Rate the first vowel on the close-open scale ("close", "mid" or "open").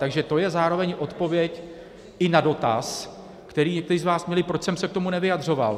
open